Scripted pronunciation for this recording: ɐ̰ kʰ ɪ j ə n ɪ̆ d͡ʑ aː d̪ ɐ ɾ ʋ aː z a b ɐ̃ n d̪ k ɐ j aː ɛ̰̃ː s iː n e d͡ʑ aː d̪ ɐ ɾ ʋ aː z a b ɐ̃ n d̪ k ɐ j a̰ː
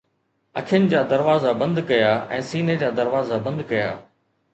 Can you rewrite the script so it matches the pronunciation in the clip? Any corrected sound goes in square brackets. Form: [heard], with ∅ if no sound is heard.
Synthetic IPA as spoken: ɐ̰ kʰ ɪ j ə n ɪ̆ d͡ʑ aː d̪ ɐ ɾ ʋ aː z a b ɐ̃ n d̪ k ɐ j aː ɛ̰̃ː s iː n e d͡ʑ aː d̪ ɐ ɾ ʋ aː z a b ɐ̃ n d̪ k ɐ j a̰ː